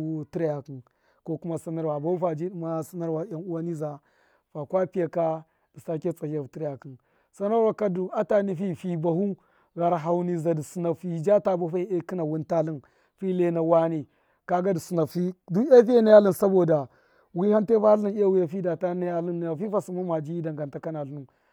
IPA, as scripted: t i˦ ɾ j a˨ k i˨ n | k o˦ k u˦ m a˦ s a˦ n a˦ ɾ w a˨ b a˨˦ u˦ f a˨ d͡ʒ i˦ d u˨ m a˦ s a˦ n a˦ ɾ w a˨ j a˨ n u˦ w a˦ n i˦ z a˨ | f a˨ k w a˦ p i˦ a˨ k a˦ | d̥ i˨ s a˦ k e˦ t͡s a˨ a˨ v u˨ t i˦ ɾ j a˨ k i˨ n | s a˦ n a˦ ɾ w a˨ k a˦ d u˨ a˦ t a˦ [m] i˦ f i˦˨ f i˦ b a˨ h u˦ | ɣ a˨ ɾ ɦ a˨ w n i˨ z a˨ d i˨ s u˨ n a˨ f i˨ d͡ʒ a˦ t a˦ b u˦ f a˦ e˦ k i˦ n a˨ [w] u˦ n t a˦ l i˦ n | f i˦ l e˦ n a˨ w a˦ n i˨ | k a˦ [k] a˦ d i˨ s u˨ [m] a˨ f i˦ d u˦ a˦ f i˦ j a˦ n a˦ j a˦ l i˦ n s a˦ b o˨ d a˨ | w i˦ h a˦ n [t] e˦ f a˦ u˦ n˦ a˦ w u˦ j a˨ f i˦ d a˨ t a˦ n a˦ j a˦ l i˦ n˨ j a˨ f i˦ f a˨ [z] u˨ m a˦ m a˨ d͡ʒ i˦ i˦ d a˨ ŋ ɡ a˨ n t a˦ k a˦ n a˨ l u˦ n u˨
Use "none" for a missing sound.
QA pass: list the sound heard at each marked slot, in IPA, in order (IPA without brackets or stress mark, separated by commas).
n, w, ɡ, n, t, s